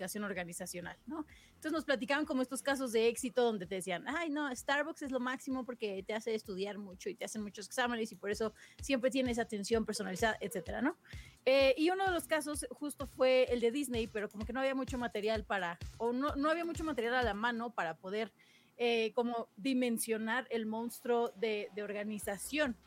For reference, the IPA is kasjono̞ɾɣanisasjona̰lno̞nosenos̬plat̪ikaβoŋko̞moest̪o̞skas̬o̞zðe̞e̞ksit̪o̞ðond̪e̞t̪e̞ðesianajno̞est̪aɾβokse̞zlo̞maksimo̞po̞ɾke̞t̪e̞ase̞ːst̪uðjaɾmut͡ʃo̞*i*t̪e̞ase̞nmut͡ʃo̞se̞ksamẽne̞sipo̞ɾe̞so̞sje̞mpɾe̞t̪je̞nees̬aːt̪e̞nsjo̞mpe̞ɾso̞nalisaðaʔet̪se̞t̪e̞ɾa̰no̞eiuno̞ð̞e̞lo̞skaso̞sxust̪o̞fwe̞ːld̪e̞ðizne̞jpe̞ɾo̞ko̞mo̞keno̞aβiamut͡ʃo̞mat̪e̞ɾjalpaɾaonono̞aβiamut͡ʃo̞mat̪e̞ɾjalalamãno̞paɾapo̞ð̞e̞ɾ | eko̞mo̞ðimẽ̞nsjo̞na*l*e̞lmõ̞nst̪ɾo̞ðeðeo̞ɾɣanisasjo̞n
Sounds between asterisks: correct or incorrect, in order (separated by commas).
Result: correct, incorrect